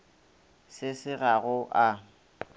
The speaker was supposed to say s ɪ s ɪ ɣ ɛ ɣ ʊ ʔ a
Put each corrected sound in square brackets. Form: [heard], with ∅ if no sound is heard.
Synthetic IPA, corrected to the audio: s ɪ s ɪ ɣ [a] ɣ ʊ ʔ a